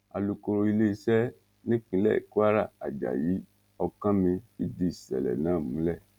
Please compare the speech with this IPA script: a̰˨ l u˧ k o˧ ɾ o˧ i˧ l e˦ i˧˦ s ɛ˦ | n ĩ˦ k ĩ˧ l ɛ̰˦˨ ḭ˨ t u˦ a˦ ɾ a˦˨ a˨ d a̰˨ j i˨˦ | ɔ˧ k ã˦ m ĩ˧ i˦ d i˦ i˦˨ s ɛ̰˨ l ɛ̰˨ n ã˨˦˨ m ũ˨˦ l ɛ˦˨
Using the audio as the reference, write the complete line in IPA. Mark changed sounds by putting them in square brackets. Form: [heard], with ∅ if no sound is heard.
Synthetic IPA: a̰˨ l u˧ k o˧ ɾ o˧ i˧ l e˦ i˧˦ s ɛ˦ | n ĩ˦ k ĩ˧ l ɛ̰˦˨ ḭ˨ [k] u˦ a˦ ɾ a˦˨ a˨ [d͡ʒ] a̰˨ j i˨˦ | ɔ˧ k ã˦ m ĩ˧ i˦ d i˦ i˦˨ s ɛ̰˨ l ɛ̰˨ n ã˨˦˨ m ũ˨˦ l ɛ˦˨